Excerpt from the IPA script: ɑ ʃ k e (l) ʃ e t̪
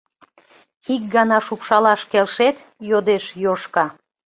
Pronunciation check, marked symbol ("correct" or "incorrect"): correct